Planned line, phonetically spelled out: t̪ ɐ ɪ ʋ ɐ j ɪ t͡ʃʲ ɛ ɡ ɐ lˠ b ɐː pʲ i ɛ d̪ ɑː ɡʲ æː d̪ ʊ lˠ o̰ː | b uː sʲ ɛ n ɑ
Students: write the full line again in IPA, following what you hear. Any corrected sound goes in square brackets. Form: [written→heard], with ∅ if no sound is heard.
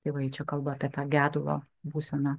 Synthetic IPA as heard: t̪ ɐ ɪ ʋ ɐ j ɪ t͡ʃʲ ɛ [ɡ→k] ɐ lˠ b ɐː pʲ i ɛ [d̪→t̪] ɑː ɡʲ æː d̪ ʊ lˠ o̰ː | b uː sʲ ɛ n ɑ